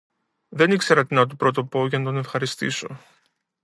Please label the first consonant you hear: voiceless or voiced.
voiced